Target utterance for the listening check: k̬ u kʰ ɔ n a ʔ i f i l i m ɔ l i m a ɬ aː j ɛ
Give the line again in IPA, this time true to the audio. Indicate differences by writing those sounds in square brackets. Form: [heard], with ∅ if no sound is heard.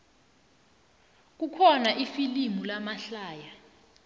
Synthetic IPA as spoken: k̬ u kʰ ɔ n a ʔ i f i l i m [u] l [a] m a ɬ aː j [a]